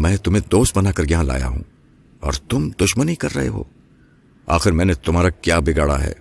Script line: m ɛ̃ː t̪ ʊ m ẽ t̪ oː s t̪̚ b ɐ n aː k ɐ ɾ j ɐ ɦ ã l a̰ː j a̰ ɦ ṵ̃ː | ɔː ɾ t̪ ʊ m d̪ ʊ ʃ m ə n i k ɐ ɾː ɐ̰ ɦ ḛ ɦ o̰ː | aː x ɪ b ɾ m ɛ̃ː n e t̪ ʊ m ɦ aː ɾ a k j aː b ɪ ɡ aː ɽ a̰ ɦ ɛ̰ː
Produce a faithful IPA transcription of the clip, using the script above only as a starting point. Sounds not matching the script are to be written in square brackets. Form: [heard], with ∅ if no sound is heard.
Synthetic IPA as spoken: m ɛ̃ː t̪ ʊ m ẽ [d̪] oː s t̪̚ b ɐ n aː k ɐ ɾ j ɐ ɦ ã l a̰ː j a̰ ɦ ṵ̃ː | ɔː ɾ t̪ ʊ m d̪ ʊ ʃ m ə n i k ɐ ɾː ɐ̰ ɦ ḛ ɦ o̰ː | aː x ɪ [∅] ɾ m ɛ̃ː n e t̪ ʊ m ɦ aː ɾ a k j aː b ɪ ɡ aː ɽ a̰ ɦ ɛ̰ː